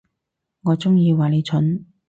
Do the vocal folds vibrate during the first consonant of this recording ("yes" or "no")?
yes